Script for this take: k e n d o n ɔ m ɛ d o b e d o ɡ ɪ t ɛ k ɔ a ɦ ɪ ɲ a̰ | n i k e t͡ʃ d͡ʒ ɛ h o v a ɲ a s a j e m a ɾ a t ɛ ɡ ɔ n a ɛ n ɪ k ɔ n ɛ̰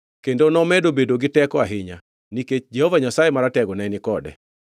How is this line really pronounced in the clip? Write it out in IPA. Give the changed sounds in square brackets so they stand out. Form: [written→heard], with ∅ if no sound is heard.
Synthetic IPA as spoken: k e n d o n ɔ m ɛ d o b e d o ɡ ɪ t ɛ k ɔ a ɦ ɪ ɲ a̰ | n i k e t͡ʃ d͡ʒ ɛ h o v a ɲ a s a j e m a ɾ a t ɛ ɡ ɔ n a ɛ n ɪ k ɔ [n→d] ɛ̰